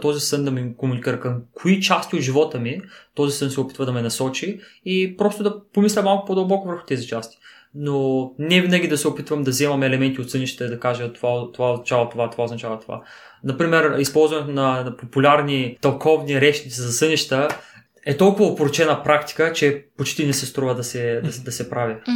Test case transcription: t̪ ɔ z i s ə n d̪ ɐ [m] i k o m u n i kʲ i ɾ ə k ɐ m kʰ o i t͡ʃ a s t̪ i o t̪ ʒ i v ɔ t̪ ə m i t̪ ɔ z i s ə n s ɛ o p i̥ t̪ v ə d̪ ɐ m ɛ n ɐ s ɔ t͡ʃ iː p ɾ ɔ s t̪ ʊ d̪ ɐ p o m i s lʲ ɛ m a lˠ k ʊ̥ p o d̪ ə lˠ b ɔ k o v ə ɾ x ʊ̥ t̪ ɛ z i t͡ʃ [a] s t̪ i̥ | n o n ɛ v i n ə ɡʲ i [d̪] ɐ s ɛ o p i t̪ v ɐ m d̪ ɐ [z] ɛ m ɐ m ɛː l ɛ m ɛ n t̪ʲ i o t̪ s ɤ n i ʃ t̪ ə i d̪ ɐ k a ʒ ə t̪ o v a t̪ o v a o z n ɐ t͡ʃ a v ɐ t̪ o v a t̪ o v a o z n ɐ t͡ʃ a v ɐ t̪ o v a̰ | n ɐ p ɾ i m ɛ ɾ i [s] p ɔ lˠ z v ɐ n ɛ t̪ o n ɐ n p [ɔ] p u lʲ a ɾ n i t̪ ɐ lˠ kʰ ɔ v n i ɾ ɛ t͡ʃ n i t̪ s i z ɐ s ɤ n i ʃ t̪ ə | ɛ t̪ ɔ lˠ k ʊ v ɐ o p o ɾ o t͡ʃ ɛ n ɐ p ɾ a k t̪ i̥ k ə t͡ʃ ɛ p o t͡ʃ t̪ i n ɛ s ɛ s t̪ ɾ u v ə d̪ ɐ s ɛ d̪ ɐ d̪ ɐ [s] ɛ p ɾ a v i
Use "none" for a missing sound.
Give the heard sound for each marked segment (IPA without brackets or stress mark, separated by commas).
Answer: m, a, d̪, z, s, o, s